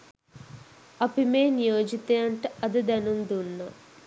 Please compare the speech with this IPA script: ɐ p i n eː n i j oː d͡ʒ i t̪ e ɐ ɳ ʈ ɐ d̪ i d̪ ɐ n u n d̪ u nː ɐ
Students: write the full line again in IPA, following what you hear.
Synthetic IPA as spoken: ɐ p i m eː n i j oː d͡ʒ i t̪ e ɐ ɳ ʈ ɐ d̪ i d̪ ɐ n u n d̪ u nː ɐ